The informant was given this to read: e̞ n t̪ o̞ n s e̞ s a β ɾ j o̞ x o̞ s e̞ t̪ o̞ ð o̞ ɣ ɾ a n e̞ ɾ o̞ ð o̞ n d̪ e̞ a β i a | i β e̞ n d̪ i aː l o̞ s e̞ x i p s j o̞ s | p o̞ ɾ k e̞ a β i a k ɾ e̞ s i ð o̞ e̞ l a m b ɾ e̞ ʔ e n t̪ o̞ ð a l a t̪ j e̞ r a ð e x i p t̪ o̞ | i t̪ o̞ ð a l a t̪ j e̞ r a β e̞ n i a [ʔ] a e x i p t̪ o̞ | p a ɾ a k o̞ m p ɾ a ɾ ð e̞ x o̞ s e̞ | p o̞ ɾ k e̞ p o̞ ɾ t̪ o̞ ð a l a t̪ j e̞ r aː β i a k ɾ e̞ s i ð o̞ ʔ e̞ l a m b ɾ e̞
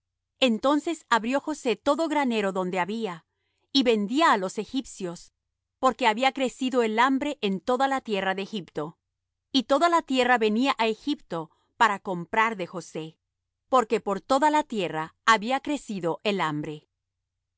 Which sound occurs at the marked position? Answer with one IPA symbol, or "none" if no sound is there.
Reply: ʔ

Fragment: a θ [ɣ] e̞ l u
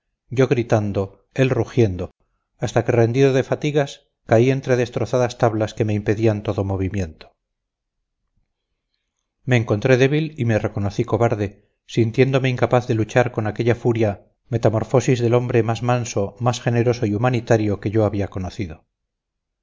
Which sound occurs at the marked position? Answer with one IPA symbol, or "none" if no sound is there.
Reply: ð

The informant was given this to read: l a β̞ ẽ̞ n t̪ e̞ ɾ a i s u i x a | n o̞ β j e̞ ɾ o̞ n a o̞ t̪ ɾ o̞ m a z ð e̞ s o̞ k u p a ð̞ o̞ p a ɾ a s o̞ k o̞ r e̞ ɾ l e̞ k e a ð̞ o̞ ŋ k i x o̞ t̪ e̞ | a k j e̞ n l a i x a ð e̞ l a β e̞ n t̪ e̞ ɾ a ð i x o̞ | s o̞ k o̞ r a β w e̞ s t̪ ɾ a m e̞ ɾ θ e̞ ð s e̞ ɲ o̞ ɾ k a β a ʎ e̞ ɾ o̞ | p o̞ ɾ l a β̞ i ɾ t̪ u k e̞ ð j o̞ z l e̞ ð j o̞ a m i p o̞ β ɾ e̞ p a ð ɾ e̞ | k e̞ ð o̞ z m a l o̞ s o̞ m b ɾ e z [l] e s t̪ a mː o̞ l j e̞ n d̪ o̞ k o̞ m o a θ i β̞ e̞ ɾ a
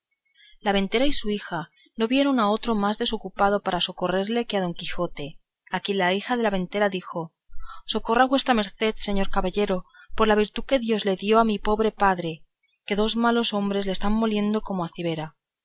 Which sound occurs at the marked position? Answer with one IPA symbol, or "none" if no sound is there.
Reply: l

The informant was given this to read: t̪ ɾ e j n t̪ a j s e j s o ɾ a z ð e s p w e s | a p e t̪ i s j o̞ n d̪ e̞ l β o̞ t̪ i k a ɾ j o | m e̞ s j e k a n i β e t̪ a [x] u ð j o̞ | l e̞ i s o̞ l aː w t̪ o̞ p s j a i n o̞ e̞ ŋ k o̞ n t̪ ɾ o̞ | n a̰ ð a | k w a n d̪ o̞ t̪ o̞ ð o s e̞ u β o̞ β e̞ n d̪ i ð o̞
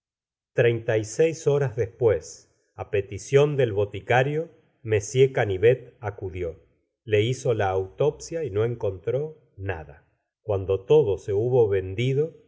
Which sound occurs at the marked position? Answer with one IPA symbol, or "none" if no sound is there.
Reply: k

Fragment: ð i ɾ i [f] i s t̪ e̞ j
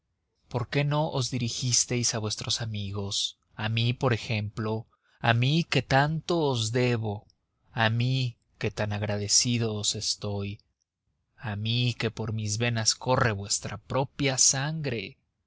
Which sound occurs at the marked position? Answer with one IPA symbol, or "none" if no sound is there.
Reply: x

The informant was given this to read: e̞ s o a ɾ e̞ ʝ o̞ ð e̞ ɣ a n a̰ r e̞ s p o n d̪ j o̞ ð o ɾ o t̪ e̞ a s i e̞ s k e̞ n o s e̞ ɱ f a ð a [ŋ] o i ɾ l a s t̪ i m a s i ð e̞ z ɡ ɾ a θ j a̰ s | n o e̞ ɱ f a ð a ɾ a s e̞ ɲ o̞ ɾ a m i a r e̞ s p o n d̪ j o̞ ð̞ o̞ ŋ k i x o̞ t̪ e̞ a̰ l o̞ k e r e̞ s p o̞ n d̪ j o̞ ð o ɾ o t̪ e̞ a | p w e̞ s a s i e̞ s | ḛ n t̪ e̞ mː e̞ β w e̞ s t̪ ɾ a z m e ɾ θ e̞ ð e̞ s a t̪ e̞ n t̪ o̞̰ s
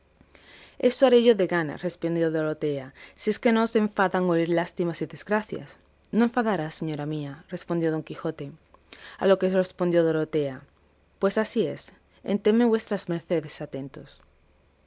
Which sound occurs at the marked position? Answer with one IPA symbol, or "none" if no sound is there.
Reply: ŋ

